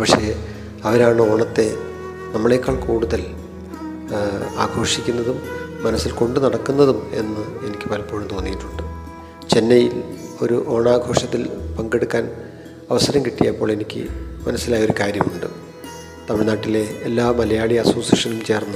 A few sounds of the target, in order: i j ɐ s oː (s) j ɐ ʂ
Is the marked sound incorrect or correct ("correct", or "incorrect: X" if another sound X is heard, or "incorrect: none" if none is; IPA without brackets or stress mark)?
correct